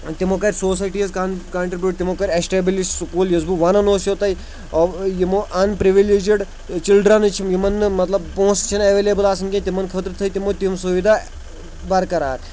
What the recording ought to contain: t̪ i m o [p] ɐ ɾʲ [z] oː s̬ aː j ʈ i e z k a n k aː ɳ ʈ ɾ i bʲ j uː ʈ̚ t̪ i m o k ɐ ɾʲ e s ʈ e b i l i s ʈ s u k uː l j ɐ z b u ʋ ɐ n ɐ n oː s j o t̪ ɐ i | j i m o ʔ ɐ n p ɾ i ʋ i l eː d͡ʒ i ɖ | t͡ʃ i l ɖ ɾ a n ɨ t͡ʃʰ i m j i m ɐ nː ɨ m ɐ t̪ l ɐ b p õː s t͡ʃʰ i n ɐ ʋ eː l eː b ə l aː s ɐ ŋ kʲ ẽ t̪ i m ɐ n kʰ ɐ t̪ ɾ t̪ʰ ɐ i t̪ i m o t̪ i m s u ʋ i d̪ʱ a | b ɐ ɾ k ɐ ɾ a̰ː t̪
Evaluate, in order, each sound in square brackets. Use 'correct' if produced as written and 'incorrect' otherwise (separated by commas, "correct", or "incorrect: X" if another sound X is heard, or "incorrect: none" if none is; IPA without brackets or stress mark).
incorrect: k, incorrect: s